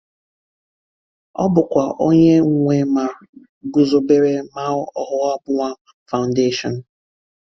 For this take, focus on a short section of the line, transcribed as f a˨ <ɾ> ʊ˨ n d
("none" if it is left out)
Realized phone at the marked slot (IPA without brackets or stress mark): none